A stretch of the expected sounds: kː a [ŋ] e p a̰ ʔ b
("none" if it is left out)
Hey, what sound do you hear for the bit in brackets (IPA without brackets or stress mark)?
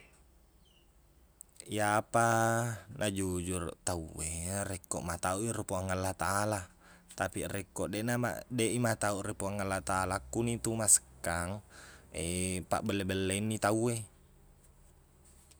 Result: ŋ